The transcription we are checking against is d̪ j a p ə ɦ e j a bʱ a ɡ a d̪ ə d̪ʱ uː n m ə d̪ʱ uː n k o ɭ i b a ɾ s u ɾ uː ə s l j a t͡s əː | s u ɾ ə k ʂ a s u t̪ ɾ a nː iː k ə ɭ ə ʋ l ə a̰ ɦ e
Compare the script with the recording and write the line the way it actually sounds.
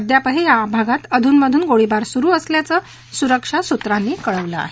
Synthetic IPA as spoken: d̪ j a p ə ɦ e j a bʱ a ɡ a t̪ ə d̪ʱ uː n m ə d̪ʱ uː n ɡ o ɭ i b a ɾ s u ɾ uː ə s l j a t͡s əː | s u ɾ ə k ʂ a s u t̪ ɾ a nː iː k ə ɭ ə ʋ l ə a̰ ɦ e